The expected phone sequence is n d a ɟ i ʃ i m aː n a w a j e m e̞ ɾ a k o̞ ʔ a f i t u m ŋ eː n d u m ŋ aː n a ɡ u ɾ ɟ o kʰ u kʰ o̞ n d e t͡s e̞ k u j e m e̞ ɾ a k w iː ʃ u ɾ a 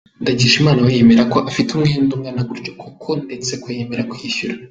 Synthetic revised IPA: n d a ɟ i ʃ i m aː n a w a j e m e̞ ɾ a k o̞ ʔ a f i t u m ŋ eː n d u m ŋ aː n a ɡ u ɾ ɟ o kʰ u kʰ o̞ n d e t͡s e̞ k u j e m e̞ ɾ a k w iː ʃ u ɾ a